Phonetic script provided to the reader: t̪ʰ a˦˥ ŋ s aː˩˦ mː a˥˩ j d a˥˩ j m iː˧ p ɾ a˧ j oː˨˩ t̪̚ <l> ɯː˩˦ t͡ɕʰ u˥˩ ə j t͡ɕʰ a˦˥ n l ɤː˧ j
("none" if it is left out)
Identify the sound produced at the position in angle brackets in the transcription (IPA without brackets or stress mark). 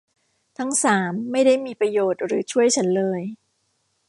ɾ